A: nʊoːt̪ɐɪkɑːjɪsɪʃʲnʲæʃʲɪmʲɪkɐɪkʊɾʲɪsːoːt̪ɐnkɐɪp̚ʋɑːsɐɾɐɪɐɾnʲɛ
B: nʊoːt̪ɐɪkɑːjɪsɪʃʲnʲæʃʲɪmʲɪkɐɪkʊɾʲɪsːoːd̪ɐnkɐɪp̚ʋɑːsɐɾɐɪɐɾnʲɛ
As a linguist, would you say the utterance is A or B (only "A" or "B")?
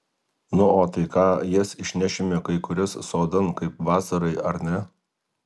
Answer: B